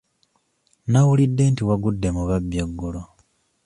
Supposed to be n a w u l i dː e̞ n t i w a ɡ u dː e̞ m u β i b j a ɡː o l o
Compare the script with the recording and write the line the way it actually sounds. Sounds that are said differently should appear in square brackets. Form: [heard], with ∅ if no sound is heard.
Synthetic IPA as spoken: n a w u l i dː e̞ n t i w a ɡ u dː e̞ m u β [a] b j a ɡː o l o

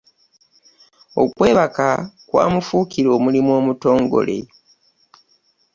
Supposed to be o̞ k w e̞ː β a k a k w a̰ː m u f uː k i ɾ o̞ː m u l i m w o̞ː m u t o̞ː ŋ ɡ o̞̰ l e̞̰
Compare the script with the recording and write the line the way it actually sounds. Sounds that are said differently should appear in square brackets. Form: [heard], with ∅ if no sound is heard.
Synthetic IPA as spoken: o̞ k w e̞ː β a k a k w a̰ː m u f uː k i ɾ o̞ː m u l i m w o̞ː m u t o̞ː ŋ ɡ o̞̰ l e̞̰

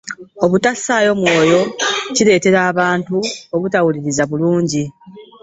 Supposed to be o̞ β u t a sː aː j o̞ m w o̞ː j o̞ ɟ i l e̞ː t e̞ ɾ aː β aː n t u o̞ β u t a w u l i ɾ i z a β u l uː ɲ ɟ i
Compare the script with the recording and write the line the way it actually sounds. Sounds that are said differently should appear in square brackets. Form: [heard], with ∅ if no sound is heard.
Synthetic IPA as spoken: o̞ β u t a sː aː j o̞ m w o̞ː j o̞ [c] i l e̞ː t e̞ ɾ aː β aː n t u o̞ β u t a w u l i ɾ i z a β u l uː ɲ ɟ i

